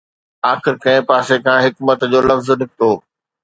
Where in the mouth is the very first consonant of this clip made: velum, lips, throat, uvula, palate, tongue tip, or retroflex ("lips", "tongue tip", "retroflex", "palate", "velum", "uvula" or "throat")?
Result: velum